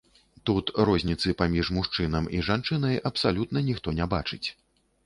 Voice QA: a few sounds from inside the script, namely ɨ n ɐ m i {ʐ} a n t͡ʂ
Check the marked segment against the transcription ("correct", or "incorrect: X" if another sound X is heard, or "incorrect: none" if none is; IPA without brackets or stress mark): correct